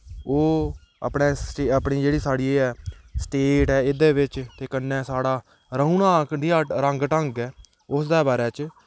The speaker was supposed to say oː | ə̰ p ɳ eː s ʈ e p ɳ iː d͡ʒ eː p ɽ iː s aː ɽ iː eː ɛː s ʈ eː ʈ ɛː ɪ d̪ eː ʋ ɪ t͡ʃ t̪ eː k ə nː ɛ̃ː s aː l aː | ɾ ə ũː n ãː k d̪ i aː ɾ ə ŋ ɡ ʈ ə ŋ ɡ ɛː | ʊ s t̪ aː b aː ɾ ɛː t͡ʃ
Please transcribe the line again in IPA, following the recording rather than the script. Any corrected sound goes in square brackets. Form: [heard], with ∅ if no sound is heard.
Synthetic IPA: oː | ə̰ p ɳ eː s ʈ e p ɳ iː d͡ʒ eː [∅] ɽ iː s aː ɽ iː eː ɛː s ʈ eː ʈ ɛː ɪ d̪ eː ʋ ɪ t͡ʃ t̪ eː k ə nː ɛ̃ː s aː [ɽ] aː | ɾ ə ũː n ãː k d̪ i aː ɾ ə ŋ ɡ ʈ ə ŋ ɡ ɛː | ʊ s [d̪] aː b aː ɾ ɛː t͡ʃ